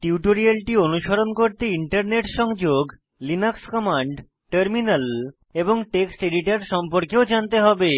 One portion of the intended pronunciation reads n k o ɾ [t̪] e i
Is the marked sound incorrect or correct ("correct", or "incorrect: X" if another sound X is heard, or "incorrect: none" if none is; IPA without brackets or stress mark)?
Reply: correct